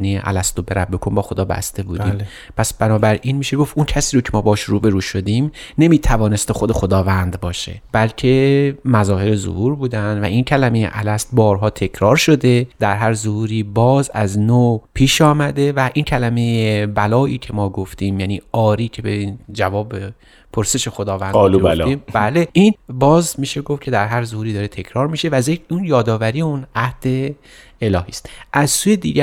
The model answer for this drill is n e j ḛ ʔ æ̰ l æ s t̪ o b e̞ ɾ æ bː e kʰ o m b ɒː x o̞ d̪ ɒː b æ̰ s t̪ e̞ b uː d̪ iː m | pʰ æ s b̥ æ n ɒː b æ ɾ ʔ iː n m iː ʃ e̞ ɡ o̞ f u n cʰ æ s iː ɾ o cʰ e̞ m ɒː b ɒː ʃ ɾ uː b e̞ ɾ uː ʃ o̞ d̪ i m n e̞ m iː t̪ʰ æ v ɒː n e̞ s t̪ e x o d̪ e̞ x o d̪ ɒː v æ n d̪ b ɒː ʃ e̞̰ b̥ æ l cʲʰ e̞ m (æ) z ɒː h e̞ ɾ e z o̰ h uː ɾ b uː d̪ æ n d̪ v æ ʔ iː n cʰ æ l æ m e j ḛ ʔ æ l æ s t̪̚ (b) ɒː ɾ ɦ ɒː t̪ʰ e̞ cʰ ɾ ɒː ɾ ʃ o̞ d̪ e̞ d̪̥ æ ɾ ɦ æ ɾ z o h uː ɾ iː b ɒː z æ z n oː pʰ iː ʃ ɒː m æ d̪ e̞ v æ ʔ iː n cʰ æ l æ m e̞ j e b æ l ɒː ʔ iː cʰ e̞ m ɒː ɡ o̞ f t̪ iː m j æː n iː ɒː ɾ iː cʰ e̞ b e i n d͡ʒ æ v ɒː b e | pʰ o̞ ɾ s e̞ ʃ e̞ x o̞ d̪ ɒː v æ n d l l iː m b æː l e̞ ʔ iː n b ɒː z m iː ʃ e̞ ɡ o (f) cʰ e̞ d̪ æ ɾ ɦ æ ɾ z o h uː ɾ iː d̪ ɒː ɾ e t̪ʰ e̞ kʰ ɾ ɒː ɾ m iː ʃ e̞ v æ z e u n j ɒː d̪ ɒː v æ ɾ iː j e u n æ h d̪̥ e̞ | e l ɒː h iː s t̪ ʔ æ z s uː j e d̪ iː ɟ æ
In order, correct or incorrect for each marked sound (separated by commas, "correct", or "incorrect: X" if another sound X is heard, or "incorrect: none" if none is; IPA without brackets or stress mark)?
correct, correct, correct